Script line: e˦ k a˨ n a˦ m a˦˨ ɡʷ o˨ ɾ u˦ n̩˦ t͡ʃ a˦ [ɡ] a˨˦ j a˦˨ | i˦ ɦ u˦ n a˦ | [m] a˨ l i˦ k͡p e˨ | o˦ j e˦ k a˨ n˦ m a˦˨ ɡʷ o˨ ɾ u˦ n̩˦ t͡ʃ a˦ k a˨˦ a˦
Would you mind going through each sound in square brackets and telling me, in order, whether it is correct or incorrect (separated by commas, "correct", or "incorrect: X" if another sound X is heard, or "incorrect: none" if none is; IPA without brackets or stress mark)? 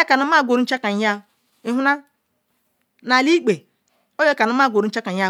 incorrect: k, incorrect: n